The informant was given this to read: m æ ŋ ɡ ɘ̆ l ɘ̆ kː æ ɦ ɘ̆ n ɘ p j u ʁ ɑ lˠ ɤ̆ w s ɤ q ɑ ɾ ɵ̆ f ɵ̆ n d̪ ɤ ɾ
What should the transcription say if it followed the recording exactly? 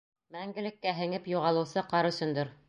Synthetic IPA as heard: m æ ŋ ɡ ɘ̆ l ɘ̆ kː æ ɦ ɘ̆ ŋ ɘ p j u ʁ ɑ lˠ ɤ̆ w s ɤ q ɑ ɾ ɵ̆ s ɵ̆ n d̪ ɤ ɾ